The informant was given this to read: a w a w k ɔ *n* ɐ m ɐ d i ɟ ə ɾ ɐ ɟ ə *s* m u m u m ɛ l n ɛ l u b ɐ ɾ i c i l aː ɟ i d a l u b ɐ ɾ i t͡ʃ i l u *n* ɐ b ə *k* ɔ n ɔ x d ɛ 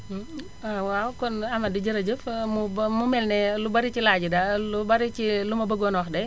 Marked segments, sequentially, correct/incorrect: correct, incorrect, incorrect, incorrect

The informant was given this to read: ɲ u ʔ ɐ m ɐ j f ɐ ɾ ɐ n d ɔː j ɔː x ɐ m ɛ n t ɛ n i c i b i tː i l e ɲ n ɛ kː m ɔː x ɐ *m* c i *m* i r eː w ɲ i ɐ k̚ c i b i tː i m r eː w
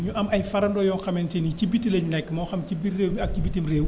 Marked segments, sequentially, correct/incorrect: correct, incorrect

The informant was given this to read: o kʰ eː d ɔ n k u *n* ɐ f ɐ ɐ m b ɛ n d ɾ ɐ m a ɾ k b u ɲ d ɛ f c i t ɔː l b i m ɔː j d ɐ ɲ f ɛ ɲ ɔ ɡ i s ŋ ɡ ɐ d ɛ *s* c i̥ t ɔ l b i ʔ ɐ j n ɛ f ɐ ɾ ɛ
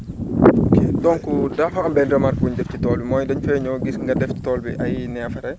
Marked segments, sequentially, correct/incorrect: incorrect, incorrect

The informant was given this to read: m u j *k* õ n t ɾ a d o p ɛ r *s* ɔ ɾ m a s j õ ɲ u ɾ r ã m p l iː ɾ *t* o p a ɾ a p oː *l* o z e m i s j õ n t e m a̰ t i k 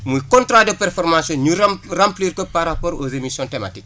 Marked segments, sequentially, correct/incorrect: correct, incorrect, incorrect, incorrect

